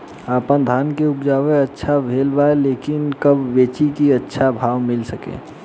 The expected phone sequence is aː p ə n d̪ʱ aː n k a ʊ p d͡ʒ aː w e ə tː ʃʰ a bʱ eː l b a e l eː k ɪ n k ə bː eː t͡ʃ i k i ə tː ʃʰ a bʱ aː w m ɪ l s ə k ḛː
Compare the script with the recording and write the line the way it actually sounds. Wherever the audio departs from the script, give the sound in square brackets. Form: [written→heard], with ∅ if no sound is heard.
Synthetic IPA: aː p ə n d̪ʱ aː n k [a→e] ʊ p d͡ʒ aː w e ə tː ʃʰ a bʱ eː l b a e l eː k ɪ n k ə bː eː t͡ʃ i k i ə tː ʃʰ a bʱ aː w m ɪ l s ə k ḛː